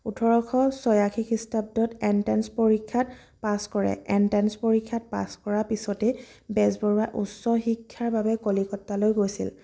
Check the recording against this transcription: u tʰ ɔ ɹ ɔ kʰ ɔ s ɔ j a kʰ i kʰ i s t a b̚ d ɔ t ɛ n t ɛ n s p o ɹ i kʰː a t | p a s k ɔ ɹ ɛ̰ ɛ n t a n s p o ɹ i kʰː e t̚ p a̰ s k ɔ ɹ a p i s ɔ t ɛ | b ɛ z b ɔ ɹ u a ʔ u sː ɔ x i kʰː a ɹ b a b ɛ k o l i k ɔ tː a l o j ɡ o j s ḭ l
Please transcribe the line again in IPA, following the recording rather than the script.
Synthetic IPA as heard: u tʰ ɔ ɹ ɔ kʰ ɔ s ɔ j a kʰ i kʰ i s t a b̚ d ɔ t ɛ n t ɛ n s p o ɹ i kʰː a t | p a s k ɔ ɹ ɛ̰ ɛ n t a n s p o ɹ i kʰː a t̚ p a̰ s k ɔ ɹ a p i s ɔ t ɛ | b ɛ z b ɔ ɹ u a ʔ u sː ɔ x i kʰː a ɹ b a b ɛ k o l i k ɔ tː a l o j ɡ o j s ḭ l